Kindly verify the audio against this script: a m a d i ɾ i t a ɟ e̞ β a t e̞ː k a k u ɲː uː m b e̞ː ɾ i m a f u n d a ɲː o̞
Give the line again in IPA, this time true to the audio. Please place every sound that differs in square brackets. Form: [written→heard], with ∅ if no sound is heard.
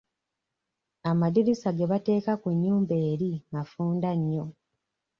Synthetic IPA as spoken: a m a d i ɾ i [t→s] a [ɟ→ɡ] e̞ β a t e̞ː k a k u ɲː uː m b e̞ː ɾ i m a f [u→uː] n d a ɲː o̞